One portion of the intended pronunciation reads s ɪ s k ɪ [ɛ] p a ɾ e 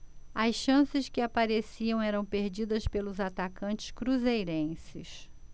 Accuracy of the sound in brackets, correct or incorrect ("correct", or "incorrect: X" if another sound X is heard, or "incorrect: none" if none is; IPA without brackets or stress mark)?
incorrect: a